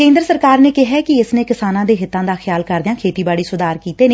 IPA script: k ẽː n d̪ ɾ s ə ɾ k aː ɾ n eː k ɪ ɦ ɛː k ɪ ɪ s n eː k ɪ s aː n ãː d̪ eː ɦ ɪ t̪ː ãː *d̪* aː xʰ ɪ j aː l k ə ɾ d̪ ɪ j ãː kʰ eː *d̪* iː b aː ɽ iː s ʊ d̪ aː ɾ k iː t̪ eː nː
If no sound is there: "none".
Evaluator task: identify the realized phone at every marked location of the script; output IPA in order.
d̪, t̪

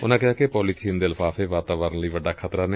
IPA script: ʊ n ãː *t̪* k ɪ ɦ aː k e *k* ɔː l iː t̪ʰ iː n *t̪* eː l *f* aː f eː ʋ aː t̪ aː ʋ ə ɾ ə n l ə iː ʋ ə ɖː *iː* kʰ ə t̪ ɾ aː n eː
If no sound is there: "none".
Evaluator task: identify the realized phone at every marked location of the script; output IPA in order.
none, p, d̪, f, aː

